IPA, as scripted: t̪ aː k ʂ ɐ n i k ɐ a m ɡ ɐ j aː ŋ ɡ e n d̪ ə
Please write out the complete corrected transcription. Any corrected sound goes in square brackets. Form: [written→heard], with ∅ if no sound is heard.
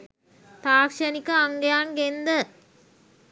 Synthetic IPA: t̪ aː k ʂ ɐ n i k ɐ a [m→ŋ] ɡ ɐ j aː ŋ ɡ e n d̪ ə